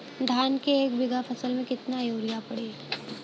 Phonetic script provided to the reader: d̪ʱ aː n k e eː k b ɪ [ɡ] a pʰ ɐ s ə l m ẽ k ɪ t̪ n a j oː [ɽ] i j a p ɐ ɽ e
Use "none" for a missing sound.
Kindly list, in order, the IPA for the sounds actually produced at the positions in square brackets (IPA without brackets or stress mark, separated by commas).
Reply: ɡ, ɾ